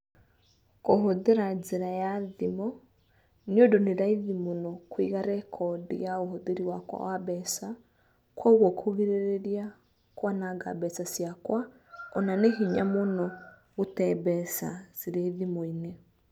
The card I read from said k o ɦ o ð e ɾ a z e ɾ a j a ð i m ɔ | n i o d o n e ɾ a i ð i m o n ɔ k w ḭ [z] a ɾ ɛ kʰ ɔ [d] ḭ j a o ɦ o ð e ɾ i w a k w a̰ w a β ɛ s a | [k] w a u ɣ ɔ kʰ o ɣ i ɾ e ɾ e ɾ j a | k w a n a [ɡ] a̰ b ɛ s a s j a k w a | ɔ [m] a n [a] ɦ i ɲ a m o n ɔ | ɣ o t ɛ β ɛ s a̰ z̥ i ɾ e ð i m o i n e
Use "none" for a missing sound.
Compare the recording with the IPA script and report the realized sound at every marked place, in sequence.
ɣ, d, k, ɡ, n, e

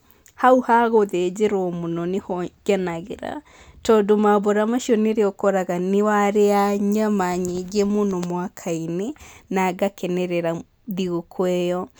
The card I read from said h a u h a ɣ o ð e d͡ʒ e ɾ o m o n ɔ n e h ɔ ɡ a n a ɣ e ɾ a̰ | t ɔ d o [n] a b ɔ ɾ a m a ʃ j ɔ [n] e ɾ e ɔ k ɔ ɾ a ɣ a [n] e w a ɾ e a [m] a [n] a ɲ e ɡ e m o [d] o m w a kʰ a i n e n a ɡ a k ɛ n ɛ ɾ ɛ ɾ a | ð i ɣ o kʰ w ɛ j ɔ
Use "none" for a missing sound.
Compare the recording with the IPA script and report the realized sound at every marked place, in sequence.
m, n, n, ɲ, m, n

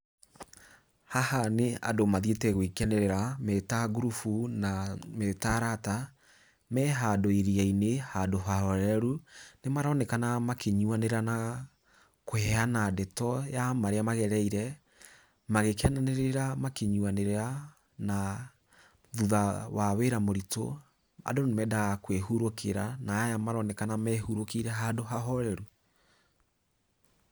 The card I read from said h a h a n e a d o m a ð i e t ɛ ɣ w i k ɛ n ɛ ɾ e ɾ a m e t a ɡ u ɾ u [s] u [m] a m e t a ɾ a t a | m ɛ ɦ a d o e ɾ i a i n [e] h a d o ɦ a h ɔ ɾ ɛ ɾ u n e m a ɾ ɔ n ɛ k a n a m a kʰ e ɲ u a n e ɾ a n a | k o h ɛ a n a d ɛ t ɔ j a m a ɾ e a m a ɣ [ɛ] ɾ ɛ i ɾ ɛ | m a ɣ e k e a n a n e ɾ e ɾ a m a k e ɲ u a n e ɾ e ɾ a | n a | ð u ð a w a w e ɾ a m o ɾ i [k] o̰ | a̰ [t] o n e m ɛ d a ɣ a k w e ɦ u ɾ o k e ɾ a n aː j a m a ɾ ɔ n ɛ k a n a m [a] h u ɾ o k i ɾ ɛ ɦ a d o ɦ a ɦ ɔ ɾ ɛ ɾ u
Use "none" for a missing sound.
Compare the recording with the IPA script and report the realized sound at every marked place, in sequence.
f, n, e, ɛ, t, d, ɛ

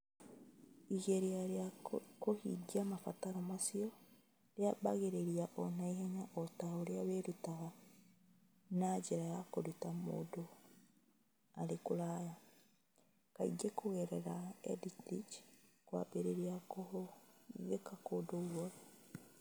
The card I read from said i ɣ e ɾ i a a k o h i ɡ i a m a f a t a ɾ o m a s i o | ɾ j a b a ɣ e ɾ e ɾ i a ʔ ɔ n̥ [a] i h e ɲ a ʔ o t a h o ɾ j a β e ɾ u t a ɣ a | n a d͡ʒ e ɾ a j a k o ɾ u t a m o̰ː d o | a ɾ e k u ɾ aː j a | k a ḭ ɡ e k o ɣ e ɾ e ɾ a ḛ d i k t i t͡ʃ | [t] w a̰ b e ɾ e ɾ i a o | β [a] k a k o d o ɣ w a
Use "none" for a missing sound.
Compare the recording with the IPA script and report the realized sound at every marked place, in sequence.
a, k, e

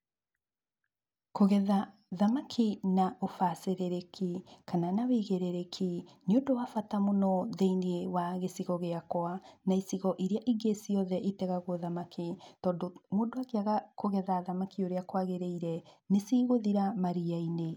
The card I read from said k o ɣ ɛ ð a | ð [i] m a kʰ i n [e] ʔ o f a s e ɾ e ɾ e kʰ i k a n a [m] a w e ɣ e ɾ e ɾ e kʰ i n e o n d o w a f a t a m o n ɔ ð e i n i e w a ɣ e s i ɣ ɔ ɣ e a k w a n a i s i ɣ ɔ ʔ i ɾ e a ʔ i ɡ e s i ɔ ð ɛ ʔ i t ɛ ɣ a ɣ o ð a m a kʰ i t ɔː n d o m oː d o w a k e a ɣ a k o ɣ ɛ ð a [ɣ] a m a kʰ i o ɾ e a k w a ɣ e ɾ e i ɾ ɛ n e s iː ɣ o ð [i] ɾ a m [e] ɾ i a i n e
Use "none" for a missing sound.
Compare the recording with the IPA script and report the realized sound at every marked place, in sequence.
a, a, n, ð, i, a

